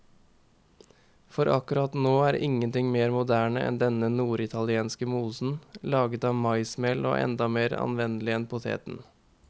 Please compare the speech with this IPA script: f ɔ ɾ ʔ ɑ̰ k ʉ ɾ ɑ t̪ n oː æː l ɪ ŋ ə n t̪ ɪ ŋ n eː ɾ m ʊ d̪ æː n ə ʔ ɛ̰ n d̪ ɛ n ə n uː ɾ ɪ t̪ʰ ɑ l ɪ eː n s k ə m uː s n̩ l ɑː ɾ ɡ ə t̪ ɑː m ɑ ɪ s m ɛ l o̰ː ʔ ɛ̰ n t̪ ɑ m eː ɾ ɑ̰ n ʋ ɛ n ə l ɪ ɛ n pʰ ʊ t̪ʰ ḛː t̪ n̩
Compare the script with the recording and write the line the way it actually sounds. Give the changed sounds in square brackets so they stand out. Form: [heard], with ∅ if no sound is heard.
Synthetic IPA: f ɔ ɾ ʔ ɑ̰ k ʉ ɾ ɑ t̪ n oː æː [ɾ] ɪ ŋ ə n t̪ ɪ ŋ [m] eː ɾ m ʊ d̪ æː [ɳ] ə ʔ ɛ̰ n d̪ ɛ n ə n uː ɾ ɪ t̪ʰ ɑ l ɪ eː n s k ə m uː s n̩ l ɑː [∅] ɡ ə t̪ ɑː m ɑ ɪ s m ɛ l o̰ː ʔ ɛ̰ n [d̪] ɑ m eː ɾ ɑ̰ n ʋ ɛ n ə l ɪ ɛ n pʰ ʊ t̪ʰ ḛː t̪ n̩